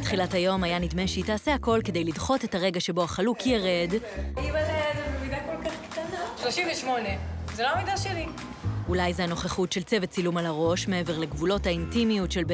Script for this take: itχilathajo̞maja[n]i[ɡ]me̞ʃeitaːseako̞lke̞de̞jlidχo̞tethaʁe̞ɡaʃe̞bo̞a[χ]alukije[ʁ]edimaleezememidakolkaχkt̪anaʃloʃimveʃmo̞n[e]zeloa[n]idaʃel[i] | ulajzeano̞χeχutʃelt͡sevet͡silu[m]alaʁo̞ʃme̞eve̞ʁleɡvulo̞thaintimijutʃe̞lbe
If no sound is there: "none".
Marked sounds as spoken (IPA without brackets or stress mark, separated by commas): n, d, χ, ʁ, e, m, i, m